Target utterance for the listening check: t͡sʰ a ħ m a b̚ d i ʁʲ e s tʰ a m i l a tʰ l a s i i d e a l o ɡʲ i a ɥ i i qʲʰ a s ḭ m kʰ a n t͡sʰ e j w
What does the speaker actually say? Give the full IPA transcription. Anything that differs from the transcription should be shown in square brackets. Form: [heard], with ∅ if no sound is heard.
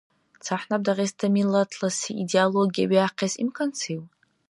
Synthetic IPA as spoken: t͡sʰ a ħ [n] a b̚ d [a] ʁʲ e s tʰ a m i l a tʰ l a s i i d e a l o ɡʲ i a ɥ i [a] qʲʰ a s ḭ m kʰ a n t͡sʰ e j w

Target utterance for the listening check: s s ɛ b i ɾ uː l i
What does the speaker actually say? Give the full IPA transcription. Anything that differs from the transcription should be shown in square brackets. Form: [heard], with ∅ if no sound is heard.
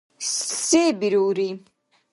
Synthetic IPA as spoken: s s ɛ b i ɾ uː [ɾ] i

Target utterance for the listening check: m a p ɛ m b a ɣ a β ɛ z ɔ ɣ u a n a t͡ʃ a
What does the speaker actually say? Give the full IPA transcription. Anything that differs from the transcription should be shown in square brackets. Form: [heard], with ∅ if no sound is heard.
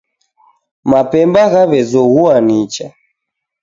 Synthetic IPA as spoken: m a p ɛ m b a ɣ a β ɛ z ɔ ɣ u a n [i] t͡ʃ a

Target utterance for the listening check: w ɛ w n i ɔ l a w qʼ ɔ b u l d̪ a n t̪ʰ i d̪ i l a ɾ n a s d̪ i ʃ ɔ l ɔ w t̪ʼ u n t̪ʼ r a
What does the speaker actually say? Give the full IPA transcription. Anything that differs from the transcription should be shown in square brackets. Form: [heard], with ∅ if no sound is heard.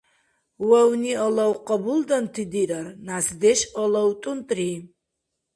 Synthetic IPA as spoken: w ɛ w n i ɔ l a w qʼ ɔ b u l d̪ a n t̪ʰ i d̪ i [ɾ] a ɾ n a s d̪ [ɛ] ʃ ɔ l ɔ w t̪ʼ u n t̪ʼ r [i]

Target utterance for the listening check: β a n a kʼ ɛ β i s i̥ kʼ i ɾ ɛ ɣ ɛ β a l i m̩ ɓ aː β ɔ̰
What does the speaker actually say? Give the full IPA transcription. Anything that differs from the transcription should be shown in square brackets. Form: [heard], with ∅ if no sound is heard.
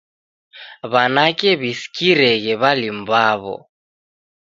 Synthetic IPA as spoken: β a n a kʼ ɛ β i s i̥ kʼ i ɾ ɛ ɣ ɛ β a l i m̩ [b] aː β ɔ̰

